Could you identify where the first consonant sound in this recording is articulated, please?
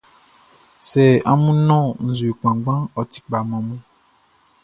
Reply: alveolar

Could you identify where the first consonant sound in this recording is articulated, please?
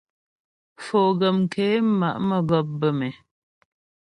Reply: labial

